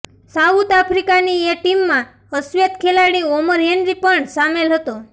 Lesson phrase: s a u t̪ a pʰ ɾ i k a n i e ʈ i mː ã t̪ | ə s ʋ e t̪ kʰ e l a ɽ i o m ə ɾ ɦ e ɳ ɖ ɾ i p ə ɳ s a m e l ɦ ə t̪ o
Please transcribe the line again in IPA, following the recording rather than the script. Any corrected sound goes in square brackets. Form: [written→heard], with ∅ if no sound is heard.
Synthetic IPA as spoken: s a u t̪ a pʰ ɾ i k a n i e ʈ i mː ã [t̪→∅] | ə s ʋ e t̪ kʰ e l a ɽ i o m ə ɾ ɦ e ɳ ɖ ɾ i p ə ɳ s a m e l ɦ ə t̪ o

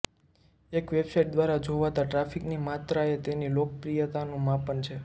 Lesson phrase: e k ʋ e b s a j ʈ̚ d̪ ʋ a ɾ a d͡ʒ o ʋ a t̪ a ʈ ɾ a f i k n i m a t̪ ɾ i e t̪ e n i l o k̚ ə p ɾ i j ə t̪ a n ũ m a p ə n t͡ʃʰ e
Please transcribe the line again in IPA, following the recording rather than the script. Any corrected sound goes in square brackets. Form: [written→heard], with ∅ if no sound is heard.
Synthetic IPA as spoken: e k ʋ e b s a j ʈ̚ d̪ ʋ a ɾ a d͡ʒ o ʋ a t̪ a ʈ ɾ a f i k n i m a t̪ ɾ [i→a] e t̪ e n i l o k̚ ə p ɾ i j ə t̪ a n ũ m a p ə n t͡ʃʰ e

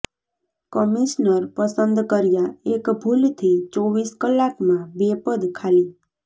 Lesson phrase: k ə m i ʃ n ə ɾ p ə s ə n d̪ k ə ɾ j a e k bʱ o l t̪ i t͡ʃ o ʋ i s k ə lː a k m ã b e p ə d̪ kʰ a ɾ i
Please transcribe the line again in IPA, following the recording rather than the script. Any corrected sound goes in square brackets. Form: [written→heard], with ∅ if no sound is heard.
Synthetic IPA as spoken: k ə m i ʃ n ə ɾ p ə s ə n d̪ k ə ɾ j a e k bʱ [o→u] l [t̪→t̪ʰ] i t͡ʃ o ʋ i s k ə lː a k m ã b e p ə d̪ kʰ a [ɾ→l] i

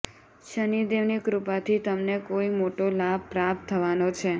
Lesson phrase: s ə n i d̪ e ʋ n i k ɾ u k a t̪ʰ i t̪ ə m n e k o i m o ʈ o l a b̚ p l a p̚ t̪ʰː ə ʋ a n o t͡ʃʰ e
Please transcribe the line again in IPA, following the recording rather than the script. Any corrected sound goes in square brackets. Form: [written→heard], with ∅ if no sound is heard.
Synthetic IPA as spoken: [s→ʃ] ə n i d̪ e ʋ n i k ɾ u [k→p] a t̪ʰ i t̪ ə m n e k o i m o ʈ o l a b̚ p [l→ɾ] a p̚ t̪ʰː ə ʋ a n o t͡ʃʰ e

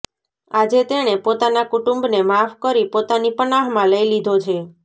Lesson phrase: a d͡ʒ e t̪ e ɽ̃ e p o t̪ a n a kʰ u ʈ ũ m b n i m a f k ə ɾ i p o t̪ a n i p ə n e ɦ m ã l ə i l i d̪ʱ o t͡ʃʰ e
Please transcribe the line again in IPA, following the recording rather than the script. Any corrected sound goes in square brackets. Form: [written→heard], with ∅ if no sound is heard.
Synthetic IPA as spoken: a d͡ʒ e t̪ e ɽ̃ e p o t̪ a n a [kʰ→k] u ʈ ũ m b n [i→e] m a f k ə ɾ i p o t̪ a n i p ə n [e→a] ɦ m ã l ə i l i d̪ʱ o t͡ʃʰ e

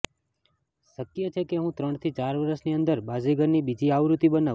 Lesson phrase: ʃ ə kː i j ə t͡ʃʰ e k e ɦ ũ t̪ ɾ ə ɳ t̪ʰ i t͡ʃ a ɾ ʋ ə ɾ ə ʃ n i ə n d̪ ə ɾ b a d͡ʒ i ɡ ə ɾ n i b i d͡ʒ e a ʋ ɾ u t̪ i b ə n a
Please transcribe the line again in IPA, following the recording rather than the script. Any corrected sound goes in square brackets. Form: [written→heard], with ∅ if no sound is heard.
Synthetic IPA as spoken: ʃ ə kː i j ə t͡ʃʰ e k e ɦ ũ t̪ ɾ ə ɳ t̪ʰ i t͡ʃ a ɾ ʋ ə ɾ ə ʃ n i ə n d̪ ə ɾ b a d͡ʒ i ɡ ə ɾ n i b i d͡ʒ [e→i] a ʋ ɾ u t̪ i b ə n a

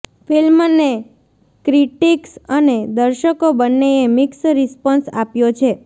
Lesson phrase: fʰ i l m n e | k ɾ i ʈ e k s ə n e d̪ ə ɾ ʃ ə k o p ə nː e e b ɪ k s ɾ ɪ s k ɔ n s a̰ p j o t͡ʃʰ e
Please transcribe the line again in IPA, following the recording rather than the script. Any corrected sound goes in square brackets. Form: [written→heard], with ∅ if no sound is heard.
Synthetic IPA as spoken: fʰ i l m n e | k ɾ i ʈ [e→i] k s ə n e d̪ ə ɾ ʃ ə k o [p→b] ə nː e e [b→m] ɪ k s ɾ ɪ s [k→p] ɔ n s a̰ p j o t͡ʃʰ e

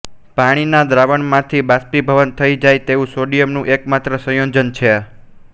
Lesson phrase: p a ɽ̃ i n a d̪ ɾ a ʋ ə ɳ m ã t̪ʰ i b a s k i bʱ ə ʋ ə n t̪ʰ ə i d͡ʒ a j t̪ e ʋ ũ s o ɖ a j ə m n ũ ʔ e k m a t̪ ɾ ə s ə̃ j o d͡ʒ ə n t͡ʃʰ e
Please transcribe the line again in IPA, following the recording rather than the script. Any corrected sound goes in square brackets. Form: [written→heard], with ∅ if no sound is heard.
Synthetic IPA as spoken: p a ɽ̃ i n a d̪ ɾ a ʋ ə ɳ m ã t̪ʰ i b a s [k→p] i bʱ ə ʋ ə n t̪ʰ ə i d͡ʒ a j t̪ e ʋ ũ s o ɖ [a→i] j ə m n ũ ʔ e k m a t̪ ɾ ə s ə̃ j o d͡ʒ ə n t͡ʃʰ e

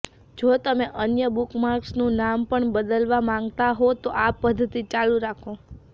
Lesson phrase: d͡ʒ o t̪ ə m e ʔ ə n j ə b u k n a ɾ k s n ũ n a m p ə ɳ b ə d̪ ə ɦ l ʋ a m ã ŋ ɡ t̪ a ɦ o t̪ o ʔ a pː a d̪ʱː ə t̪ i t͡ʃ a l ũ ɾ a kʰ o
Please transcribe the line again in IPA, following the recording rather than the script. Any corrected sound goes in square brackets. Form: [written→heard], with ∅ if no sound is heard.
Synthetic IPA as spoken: d͡ʒ o t̪ ə m e ʔ ə n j ə b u k [n→m] a ɾ k s n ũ n a m p ə ɳ b ə d̪ ə [ɦ→∅] l ʋ a m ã ŋ ɡ t̪ a ɦ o t̪ o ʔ a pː [a→ə] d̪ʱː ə t̪ i t͡ʃ a l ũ ɾ a kʰ o

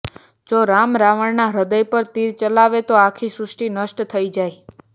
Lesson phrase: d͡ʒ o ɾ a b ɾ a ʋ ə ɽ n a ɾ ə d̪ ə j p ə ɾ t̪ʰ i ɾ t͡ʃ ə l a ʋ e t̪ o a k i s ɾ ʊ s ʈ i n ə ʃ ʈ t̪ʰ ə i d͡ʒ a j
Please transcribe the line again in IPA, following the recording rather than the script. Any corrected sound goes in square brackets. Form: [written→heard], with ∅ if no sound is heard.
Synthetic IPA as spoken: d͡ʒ o ɾ a [b→m] ɾ a ʋ ə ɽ n a ɾ ə d̪ ə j p ə ɾ [t̪ʰ→t̪] i ɾ t͡ʃ ə l a ʋ e t̪ o a [k→kʰ] i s ɾ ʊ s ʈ i n ə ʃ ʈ t̪ʰ ə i d͡ʒ a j

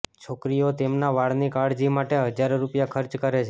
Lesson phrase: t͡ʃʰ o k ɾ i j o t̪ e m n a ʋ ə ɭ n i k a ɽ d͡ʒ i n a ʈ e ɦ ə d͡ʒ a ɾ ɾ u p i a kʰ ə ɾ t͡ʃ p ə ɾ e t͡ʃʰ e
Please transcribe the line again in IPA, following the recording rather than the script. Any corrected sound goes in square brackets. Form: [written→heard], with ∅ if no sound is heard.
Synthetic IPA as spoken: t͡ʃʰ o k ɾ i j o t̪ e m n a ʋ [ə→a] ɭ n i k a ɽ d͡ʒ i [n→m] a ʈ e ɦ ə d͡ʒ a ɾ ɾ u p [i→j] a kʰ ə ɾ t͡ʃ [p→k] ə ɾ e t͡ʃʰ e

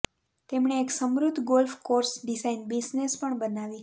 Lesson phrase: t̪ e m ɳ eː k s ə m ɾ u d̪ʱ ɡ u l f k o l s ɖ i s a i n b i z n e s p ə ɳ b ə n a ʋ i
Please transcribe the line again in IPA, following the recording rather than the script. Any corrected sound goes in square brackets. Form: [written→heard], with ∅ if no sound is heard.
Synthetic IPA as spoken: t̪ e m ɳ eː k s ə m ɾ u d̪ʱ ɡ [u→o] l f k o [l→ɾ] s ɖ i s a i n b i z n e s p ə ɳ b ə n a ʋ i

